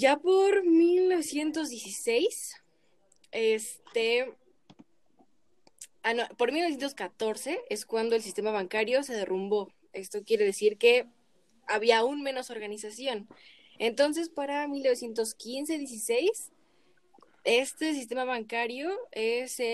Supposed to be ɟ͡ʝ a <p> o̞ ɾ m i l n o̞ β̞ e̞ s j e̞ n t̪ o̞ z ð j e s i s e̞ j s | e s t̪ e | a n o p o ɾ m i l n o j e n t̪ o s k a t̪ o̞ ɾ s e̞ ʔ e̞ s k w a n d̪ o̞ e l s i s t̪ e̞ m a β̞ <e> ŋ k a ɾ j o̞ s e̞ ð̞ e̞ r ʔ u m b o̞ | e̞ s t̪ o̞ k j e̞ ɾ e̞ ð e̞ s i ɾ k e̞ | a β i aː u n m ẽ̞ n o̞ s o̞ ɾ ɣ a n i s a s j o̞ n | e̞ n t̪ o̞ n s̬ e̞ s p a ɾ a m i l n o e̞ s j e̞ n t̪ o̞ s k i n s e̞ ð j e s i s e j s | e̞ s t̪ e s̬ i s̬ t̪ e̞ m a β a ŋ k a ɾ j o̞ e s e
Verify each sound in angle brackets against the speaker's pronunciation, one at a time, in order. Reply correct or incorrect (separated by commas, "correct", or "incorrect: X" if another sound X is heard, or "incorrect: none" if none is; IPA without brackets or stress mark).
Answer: correct, incorrect: a